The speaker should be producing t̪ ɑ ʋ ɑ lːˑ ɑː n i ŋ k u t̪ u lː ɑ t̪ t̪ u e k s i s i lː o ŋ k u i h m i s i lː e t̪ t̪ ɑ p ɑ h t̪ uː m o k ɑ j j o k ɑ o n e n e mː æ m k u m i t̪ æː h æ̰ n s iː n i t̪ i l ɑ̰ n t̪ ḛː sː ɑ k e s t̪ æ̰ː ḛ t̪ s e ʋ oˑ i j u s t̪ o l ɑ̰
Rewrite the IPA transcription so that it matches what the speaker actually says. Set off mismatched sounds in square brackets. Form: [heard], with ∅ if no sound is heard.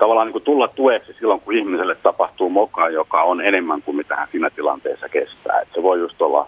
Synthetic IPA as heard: t̪ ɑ ʋ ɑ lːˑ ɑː n i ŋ k u t̪ u lː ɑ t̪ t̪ u e k s i s i lː o ŋ k u i h m i s [e] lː e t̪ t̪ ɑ p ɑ h t̪ uː m o k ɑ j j o k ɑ o n e n e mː æ [ŋ] k u m i t̪ [æ] h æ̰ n s iː n [æ] t̪ i l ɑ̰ n t̪ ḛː sː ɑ k e s t̪ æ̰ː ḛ t̪ s e ʋ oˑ i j u s t̪ o [lː] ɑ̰